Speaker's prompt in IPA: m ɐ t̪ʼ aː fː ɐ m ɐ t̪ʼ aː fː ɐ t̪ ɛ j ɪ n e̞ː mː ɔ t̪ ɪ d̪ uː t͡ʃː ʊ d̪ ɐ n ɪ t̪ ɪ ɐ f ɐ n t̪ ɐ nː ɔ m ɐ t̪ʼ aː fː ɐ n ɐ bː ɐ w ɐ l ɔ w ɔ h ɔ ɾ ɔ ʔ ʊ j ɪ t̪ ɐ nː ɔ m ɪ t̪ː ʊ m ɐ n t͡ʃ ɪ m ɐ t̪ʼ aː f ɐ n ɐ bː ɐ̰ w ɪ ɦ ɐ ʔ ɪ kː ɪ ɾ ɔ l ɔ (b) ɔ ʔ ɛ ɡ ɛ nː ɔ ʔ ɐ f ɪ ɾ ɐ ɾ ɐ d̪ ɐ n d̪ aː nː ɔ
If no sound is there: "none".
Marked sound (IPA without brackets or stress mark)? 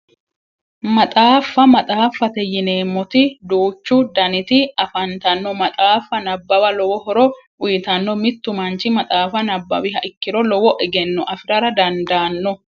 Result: w